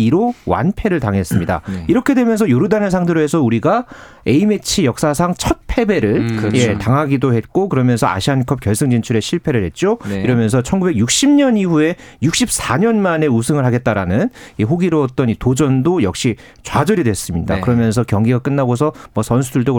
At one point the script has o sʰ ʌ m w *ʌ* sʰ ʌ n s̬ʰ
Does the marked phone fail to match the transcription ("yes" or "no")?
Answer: no